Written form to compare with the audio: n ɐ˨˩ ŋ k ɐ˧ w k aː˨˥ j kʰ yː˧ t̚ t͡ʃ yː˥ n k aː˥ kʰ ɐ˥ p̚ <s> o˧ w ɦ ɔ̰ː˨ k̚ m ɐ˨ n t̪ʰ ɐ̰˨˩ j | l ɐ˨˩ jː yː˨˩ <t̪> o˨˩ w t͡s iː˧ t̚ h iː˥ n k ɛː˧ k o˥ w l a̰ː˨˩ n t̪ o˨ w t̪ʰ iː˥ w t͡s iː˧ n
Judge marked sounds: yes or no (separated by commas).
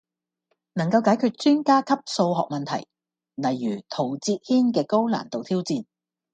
yes, no